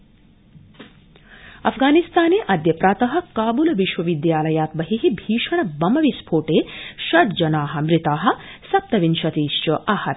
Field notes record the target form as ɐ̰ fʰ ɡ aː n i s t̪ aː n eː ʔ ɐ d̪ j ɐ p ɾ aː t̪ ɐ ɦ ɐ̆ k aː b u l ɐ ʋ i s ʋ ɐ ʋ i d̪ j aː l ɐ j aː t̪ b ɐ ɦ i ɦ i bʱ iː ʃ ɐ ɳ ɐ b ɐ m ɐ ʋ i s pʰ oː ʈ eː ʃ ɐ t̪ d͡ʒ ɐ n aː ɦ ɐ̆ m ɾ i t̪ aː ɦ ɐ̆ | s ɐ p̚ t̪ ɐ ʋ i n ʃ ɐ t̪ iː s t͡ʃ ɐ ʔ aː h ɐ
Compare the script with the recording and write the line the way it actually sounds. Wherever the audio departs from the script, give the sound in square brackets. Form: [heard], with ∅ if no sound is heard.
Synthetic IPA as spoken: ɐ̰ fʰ ɡ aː n i s t̪ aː n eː ʔ ɐ d̪ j ɐ p ɾ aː t̪ ɐ ɦ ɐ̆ k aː b u l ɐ ʋ i [ʃ] ʋ ɐ ʋ i d̪ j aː l ɐ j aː t̪ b ɐ ɦ i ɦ i bʱ iː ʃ ɐ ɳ ɐ b ɐ m ɐ ʋ i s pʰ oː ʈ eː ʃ ɐ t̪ d͡ʒ ɐ n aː ɦ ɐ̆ m ɾ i t̪ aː ɦ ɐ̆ | s ɐ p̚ t̪ ɐ ʋ i n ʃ ɐ t̪ iː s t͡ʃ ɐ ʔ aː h ɐ